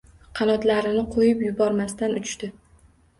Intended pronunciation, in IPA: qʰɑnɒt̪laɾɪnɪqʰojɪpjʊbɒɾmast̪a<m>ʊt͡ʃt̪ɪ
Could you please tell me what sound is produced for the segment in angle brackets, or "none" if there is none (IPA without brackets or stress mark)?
n